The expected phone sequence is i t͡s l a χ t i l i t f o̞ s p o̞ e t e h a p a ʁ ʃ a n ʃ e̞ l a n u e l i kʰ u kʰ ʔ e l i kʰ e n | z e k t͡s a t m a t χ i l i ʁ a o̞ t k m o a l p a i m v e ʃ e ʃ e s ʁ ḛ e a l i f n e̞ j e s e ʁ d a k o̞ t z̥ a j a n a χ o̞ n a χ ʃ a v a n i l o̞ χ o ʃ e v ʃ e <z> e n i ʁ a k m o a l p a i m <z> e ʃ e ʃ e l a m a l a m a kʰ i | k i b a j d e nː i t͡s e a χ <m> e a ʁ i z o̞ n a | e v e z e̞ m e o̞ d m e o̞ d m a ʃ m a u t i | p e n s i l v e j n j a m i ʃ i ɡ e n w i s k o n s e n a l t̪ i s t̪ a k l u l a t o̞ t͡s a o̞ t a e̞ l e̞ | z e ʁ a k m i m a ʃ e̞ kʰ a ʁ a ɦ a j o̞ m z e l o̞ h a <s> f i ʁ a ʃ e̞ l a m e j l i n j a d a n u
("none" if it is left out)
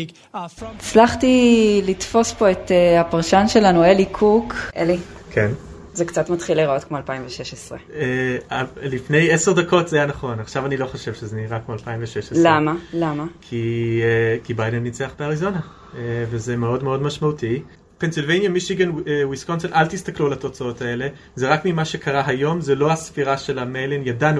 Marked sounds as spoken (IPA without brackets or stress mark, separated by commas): z, v, b, s